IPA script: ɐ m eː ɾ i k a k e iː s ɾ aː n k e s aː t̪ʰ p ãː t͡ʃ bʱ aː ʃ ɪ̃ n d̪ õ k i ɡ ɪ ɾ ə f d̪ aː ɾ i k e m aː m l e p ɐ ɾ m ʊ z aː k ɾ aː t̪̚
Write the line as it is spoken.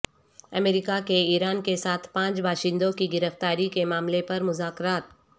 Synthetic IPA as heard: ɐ m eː ɾ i k a k e iː ɾ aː n k e s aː t̪ʰ p ãː t͡ʃ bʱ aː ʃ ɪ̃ n d̪ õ k i ɡ ɪ ɾ ə f t̪ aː ɾ i k e m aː m l e p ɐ ɾ m ʊ z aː k ɾ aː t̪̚

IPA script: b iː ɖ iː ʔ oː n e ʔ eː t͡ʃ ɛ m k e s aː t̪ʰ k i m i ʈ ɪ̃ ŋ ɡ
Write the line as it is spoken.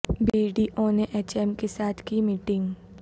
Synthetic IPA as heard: b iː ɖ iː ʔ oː n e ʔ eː t͡ʃ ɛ m k e s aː t̪ʰ k i m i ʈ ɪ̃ ŋ ɡ

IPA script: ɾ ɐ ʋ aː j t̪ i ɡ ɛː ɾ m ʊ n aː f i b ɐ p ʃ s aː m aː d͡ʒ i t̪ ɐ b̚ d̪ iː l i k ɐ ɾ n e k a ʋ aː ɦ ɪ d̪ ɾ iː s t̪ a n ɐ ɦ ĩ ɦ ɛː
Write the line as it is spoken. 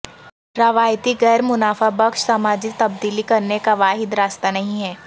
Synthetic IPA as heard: ɾ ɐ ʋ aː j t̪ i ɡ ɛː ɾ m ʊ n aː f a b ɐ k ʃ s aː m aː d͡ʒ i t̪ ɐ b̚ d̪ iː l i k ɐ ɾ n e k a ʋ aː ɦ ɪ d̪ ɾ aː s t̪ a n ɐ ɦ ĩ ɦ ɛː

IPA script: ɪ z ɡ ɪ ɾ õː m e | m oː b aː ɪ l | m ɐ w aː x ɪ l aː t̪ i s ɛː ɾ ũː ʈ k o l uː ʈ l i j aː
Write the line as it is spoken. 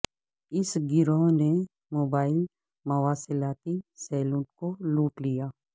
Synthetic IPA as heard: ɪ s ɡ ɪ ɾ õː n e | m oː b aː ɪ l | m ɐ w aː s ɪ l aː t̪ i s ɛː l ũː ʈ k o l uː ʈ l i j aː

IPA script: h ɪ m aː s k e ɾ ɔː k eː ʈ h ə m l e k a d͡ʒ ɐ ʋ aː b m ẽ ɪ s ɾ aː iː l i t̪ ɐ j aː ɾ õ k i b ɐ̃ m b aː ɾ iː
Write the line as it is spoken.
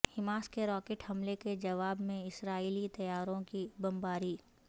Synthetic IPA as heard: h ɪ m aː s k e ɾ ɔː k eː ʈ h ɐ m l e k e d͡ʒ ɐ ʋ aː b m ẽ ɪ s ɾ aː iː l i t̪ ɐ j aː ɾ õ k i b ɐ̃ m b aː ɾ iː

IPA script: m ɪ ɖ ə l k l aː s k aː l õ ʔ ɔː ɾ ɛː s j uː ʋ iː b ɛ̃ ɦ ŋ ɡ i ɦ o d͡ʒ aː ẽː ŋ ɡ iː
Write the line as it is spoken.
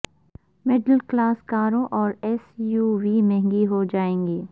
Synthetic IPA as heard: m ɪ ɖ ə l k l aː s k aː ɾ õ ʔ ɔː ɾ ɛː s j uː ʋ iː m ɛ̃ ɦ ŋ ɡ i ɦ o d͡ʒ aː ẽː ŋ ɡ iː

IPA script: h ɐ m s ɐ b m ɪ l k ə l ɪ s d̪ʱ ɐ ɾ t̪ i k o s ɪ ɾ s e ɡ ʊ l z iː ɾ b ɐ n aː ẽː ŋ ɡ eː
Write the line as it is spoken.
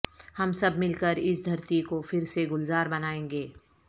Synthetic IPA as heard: h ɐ m s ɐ b m ɪ l k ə ɾ ɪ s d̪ʱ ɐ ɾ t̪ i k o f ɪ ɾ s e ɡ ʊ l z aː ɾ b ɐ n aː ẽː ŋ ɡ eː

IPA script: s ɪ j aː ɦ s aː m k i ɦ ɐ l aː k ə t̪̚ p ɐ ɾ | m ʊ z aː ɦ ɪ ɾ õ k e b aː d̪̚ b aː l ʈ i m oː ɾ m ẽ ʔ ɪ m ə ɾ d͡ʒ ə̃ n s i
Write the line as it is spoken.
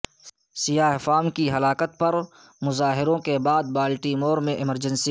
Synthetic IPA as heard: s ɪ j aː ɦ f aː m k i ɦ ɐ l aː k ə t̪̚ p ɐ ɾ | m ʊ z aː ɦ ɪ ɾ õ k e b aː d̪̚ b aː l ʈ i m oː ɾ m ẽ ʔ ɪ m ə ɾ d͡ʒ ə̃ n s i

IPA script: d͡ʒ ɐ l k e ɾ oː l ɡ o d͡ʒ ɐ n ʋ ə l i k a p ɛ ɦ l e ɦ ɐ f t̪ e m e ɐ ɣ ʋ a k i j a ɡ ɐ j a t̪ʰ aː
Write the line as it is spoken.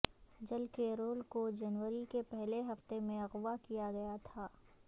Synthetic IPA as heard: d͡ʒ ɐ l k e ɾ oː l k o d͡ʒ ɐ n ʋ ə ɾ i k e p ɛ ɦ l e ɦ ɐ f t̪ e m ẽ ɐ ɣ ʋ a k i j a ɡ ɐ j a t̪ʰ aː

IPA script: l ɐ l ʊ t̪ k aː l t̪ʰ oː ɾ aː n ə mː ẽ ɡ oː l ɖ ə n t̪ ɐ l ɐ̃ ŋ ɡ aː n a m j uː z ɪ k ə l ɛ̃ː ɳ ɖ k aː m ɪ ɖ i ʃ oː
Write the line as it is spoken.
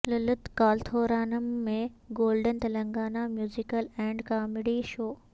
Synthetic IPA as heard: l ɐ l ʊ t̪ k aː l t̪ʰ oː ɾ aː n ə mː ẽ ɡ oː l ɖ ə n t̪ ɐ l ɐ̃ ŋ ɡ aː n a m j uː z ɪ k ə l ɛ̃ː ɳ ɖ k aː m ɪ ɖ i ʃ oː

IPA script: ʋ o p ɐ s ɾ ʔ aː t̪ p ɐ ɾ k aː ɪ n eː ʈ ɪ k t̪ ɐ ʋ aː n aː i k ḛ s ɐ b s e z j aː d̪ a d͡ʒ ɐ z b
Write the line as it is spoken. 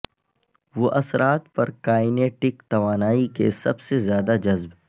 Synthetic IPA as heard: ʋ o ʔ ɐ s ɾ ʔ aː t̪ p ɐ ɾ k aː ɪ n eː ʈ ɪ k t̪ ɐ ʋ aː n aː i k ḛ s ɐ b s e z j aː d̪ a d͡ʒ ɐ z b

